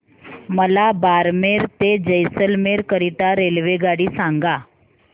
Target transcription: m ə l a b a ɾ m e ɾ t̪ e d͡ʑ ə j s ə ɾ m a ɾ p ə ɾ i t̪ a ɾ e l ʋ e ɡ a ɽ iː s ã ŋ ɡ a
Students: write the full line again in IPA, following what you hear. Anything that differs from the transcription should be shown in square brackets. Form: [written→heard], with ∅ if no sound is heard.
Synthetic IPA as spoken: m ə l a b a ɾ m e ɾ t̪ e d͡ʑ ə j s ə [ɾ→l] m [a→e] ɾ [p→k] ə ɾ i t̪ a ɾ e l ʋ e ɡ a ɽ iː s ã ŋ ɡ a